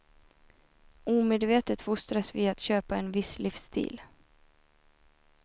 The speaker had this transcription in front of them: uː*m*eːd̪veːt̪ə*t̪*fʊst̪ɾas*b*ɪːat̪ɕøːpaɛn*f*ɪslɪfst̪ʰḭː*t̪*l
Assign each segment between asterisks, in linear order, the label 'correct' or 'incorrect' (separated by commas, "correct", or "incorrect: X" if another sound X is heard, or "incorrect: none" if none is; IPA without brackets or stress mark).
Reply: correct, correct, incorrect: v, incorrect: v, incorrect: none